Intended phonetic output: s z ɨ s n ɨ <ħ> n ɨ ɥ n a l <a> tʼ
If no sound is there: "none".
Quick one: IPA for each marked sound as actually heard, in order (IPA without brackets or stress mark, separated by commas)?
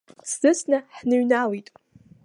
ħ, i